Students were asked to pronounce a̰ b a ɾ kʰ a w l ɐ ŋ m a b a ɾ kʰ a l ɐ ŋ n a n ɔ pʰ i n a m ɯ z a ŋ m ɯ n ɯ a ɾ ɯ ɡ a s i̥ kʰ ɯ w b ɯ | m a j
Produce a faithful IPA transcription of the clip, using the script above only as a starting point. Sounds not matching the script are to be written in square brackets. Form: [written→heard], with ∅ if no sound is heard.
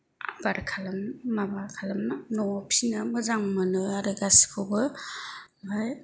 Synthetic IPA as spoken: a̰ b a ɾ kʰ a [w→∅] l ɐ [ŋ→m] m a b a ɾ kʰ a l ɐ [ŋ→m] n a n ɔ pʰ i n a m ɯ z a ŋ m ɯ n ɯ a ɾ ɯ ɡ a s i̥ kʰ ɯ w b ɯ | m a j